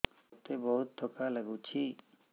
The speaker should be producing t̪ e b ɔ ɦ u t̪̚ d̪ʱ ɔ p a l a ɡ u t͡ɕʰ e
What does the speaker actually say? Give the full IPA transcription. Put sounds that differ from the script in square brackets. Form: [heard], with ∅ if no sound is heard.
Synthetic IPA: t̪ e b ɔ ɦ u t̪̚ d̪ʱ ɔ [k] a l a ɡ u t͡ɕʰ [i]